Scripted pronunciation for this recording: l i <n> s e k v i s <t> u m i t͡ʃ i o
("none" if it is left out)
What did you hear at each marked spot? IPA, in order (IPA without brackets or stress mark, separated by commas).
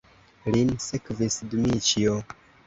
n, d